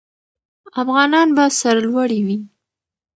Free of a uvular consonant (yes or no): yes